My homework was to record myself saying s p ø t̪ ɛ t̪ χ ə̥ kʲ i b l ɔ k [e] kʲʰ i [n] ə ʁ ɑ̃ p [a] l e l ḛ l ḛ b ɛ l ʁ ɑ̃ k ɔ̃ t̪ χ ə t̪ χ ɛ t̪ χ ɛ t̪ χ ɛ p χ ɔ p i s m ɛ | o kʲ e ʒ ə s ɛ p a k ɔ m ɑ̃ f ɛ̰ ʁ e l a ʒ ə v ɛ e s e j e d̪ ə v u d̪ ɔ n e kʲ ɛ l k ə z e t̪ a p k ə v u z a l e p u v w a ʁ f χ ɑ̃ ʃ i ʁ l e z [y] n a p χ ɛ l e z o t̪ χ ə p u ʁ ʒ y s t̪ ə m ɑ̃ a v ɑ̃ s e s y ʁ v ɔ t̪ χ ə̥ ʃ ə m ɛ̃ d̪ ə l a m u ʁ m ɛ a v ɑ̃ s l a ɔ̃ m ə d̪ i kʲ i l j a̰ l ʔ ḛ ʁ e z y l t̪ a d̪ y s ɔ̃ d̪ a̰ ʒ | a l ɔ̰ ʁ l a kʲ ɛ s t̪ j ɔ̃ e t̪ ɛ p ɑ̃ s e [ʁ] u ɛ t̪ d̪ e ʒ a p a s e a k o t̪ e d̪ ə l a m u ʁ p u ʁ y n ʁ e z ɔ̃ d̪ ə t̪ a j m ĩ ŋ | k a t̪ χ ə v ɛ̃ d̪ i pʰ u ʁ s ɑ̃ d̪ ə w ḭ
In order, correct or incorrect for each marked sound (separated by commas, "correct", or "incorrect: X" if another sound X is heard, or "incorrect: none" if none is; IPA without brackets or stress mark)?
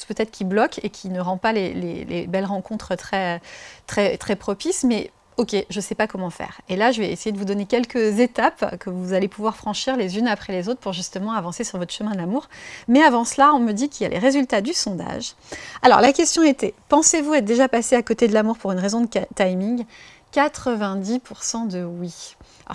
correct, correct, correct, correct, incorrect: v